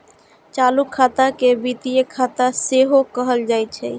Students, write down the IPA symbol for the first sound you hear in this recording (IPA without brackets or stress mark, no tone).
t͡ʃ